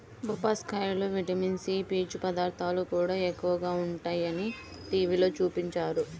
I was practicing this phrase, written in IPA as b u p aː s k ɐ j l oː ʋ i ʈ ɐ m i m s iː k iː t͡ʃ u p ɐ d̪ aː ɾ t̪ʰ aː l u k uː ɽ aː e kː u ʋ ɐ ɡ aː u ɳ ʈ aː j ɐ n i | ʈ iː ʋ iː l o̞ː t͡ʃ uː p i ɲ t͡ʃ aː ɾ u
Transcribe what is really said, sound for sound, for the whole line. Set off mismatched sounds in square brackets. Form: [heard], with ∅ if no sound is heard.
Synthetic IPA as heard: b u p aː s k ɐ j l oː ʋ i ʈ ɐ m i [n] s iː [p] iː t͡ʃ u p ɐ d̪ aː ɾ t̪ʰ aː l u k uː ɽ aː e kː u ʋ ɐ ɡ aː u ɳ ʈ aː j ɐ n i | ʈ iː ʋ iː l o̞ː t͡ʃ uː p i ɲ t͡ʃ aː ɾ u